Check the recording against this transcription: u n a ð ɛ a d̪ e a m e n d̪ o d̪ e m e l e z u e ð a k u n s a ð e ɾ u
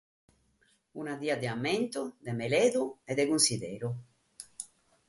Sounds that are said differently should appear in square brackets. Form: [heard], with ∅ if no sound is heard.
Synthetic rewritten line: u n a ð [i] a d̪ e a m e n [t̪] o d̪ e m e l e [ð] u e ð [e] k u n s [i] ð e ɾ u